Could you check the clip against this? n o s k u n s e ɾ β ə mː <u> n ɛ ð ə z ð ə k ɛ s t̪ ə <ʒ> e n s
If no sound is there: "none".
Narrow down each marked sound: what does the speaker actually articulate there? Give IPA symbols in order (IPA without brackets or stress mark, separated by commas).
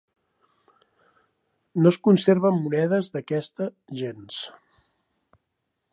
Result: u, ʒ